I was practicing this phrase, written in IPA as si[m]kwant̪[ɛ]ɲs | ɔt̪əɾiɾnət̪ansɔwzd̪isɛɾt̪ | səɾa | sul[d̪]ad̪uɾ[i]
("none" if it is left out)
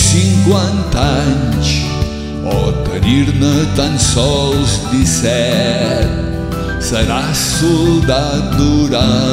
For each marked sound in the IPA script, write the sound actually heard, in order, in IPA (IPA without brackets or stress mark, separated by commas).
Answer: ŋ, a, d̪, a